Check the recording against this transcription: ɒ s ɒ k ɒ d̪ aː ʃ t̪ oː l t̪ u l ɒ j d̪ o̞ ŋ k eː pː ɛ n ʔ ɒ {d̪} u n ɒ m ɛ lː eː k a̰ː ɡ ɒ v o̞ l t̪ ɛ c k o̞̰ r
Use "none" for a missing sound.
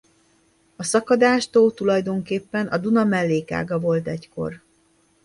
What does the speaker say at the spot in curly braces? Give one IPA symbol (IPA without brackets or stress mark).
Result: d̪